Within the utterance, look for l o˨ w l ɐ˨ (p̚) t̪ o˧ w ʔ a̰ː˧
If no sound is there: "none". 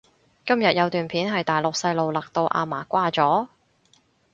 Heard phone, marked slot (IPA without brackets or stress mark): k̚